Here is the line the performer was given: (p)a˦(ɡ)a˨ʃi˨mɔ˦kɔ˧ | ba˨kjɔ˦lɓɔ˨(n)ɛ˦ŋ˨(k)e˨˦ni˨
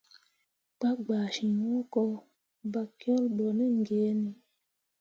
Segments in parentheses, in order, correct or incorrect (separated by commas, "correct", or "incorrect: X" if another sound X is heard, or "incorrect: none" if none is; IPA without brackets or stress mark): incorrect: k͡p, incorrect: ɡ͡b, correct, incorrect: ɡ